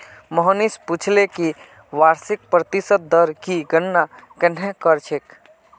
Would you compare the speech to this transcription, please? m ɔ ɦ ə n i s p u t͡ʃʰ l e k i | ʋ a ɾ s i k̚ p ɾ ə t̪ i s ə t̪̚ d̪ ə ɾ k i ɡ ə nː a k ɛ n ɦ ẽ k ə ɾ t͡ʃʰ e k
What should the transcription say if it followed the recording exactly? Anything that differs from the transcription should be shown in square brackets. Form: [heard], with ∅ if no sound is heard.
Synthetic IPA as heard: m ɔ ɦ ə n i s p u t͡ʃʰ l e k i | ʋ a ɾ s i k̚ p ɾ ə t̪ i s ə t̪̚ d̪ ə ɾ k i ɡ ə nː a k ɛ n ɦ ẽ k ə ɾ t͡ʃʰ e k